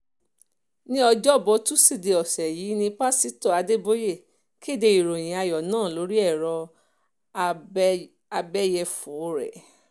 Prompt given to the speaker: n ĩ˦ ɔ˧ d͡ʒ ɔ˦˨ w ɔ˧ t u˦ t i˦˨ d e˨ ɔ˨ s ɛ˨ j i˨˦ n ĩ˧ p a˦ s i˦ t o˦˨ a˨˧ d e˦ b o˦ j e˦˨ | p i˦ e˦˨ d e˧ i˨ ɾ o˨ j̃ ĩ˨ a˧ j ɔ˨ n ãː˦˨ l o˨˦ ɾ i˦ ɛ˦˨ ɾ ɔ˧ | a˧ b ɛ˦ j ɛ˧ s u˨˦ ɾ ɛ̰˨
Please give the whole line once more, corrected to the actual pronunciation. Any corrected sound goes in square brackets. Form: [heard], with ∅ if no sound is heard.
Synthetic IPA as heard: n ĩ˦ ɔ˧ d͡ʒ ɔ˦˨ [b] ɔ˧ t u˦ [s] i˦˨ d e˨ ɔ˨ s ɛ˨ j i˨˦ n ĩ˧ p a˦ s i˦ t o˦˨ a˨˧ d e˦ b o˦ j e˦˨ | [k] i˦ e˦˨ d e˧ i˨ ɾ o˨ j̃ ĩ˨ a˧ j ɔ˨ n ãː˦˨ l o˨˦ ɾ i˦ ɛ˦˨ ɾ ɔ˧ | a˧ b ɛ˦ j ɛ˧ [f] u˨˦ ɾ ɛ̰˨